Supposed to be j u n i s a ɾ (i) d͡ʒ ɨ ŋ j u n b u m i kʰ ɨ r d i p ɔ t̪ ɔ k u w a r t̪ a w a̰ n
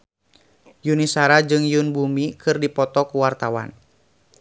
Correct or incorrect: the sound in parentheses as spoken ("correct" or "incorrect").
incorrect